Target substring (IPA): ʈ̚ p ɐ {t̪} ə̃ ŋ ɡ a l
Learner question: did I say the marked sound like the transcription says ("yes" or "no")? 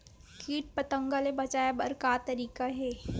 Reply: yes